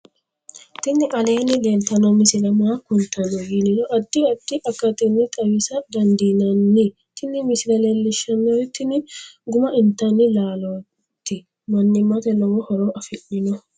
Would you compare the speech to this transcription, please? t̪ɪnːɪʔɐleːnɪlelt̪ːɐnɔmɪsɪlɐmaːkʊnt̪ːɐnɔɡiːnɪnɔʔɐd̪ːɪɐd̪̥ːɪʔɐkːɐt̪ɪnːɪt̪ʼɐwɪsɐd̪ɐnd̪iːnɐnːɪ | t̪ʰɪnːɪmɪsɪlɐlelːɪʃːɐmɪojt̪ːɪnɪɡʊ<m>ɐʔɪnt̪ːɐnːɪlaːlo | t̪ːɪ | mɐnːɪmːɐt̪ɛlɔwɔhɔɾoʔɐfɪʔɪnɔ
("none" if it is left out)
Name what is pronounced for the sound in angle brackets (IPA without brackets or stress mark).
m